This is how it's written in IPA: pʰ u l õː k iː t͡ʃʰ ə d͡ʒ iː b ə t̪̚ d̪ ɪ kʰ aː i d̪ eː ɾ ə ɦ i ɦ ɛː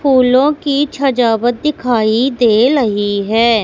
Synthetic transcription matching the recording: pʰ uː l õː k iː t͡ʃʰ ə d͡ʒ aː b ə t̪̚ d̪ ɪ kʰ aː i d̪ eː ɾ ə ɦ i ɦ ɛː